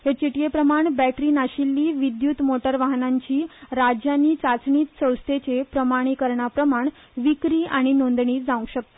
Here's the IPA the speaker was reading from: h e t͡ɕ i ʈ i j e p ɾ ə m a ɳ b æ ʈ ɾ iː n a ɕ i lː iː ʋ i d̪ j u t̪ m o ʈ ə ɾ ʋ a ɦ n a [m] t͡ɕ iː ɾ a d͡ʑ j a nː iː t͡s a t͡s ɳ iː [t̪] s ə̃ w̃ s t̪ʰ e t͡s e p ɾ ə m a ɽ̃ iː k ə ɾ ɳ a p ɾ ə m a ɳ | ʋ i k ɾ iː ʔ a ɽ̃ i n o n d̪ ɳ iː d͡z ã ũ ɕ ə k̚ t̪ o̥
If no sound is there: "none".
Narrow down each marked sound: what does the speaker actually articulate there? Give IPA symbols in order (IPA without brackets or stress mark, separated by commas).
ɲ, t̪